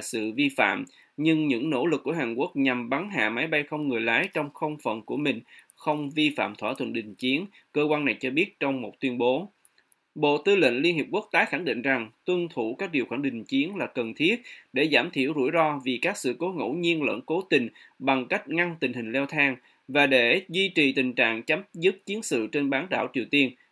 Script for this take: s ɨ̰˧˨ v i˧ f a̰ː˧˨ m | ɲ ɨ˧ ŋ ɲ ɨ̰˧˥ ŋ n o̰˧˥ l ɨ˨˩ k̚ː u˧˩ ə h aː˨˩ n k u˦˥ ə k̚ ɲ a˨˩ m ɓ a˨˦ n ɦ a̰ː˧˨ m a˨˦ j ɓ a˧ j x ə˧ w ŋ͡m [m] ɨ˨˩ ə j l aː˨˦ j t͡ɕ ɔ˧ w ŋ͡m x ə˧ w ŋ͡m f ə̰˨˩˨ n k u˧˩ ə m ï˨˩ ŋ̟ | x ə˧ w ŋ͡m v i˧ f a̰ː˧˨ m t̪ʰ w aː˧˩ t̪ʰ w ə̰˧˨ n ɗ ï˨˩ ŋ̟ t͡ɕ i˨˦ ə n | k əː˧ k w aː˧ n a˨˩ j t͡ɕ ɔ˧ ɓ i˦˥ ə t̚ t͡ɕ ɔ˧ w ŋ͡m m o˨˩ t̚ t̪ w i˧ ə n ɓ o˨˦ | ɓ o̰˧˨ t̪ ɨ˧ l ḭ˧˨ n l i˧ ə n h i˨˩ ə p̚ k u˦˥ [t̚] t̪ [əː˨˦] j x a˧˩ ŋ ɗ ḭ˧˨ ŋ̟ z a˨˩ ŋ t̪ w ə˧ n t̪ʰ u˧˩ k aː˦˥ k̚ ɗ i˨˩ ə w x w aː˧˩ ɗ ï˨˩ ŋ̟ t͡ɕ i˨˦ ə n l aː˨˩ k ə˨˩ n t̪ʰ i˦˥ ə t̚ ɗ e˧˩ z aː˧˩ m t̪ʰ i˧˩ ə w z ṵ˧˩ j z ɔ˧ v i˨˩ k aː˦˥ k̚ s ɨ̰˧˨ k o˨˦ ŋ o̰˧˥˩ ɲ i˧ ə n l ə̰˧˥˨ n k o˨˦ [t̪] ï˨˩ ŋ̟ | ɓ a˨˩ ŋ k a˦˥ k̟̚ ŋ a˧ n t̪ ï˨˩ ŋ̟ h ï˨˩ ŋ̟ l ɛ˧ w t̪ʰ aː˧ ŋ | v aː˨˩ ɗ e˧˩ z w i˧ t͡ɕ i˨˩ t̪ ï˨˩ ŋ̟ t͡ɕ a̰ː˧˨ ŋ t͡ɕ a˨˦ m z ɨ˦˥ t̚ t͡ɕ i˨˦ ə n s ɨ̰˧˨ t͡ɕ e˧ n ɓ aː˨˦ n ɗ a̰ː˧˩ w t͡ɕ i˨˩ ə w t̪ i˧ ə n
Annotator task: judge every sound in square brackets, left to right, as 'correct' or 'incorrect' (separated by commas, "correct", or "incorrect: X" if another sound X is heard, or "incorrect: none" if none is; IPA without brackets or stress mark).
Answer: incorrect: ŋ, incorrect: k̚, incorrect: aː˨˦, correct